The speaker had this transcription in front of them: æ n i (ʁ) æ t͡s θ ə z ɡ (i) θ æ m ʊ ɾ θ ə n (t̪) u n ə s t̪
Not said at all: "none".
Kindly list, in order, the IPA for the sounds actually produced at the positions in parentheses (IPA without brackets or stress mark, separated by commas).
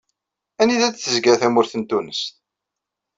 ð, æ, t̪